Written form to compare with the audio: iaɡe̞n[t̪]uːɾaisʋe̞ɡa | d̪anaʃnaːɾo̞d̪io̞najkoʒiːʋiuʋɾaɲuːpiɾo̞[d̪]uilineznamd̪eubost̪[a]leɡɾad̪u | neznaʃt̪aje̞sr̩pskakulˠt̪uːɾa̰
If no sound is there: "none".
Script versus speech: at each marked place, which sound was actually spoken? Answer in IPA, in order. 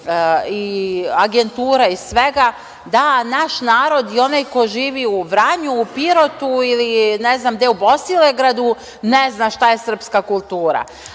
t̪, t̪, i

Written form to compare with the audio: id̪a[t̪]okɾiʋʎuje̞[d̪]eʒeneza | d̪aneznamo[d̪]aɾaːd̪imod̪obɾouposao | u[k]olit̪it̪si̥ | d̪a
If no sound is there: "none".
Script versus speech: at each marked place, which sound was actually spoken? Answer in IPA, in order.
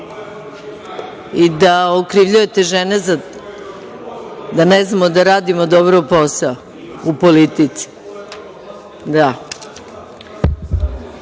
none, t̪, d̪, p

